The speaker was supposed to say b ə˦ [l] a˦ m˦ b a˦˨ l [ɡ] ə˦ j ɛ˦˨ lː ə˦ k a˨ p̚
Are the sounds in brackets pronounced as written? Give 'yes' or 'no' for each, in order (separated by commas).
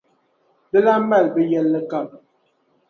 yes, no